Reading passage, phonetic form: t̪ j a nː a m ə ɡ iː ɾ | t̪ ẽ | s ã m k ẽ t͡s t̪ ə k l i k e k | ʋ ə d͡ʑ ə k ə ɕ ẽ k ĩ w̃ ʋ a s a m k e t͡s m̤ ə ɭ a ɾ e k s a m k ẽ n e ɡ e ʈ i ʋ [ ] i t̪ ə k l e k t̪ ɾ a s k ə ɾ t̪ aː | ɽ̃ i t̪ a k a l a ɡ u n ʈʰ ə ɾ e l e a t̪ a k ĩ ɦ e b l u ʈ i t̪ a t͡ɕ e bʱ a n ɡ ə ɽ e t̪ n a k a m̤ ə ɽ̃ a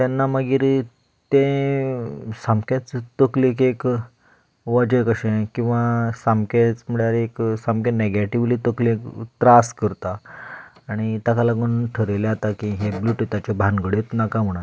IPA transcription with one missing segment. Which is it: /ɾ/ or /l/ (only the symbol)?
l